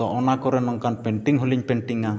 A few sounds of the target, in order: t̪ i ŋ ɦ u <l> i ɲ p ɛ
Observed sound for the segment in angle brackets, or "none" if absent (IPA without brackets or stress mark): l